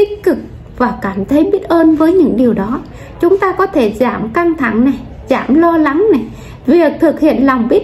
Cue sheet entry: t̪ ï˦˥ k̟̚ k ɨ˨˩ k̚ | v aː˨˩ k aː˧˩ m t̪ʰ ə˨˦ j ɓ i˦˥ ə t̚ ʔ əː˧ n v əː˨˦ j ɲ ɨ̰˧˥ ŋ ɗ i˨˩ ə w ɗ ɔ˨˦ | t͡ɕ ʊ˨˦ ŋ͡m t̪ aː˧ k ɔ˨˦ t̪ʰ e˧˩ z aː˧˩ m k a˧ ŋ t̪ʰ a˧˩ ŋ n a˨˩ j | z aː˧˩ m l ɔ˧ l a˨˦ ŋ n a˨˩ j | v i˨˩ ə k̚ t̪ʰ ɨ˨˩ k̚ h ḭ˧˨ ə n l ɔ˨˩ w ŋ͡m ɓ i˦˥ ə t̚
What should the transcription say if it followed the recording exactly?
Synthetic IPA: t̪ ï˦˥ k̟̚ k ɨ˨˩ k̚ | v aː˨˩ k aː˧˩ m t̪ʰ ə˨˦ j ɓ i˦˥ ə t̚ ʔ əː˧ n v əː˨˦ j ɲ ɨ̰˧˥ ŋ ɗ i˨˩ ə w ɗ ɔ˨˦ | t͡ɕ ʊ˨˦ ŋ͡m t̪ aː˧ k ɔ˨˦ t̪ʰ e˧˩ z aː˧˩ m k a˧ ŋ t̪ʰ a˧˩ ŋ n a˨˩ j | z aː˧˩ m l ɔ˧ l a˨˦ ŋ n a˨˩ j | v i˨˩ ə k̚ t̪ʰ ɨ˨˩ k̚ h ḭ˧˨ ə n l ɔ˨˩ w ŋ͡m ɓ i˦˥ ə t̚